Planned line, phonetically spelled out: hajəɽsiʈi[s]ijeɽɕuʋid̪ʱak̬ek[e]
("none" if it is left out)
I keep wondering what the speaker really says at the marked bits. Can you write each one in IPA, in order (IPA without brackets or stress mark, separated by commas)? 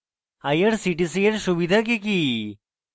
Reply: s, i